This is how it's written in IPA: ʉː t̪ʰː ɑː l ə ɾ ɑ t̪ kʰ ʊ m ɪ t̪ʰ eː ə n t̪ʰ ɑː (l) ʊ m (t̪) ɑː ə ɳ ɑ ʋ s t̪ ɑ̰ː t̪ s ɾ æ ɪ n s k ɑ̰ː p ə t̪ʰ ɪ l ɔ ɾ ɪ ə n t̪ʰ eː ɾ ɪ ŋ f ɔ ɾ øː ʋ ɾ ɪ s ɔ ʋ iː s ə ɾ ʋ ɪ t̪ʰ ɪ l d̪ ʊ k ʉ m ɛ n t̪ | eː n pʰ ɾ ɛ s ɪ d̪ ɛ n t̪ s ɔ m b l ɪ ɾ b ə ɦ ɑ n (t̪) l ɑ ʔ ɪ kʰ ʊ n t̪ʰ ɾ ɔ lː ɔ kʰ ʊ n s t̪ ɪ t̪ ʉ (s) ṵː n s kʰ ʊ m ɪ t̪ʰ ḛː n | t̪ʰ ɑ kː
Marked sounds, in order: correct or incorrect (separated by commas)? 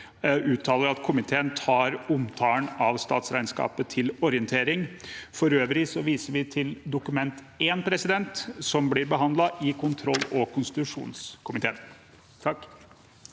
incorrect, incorrect, incorrect, incorrect